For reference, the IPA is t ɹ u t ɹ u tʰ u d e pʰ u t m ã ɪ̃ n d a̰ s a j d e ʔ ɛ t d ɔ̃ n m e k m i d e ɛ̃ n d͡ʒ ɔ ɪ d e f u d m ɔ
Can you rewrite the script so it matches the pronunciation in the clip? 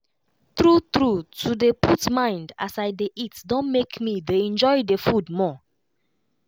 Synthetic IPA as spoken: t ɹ u t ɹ u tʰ u d e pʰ u t m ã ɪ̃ n d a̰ s a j d e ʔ i t d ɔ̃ n m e k m i d e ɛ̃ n d͡ʒ ɔ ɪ d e f u d m ɔ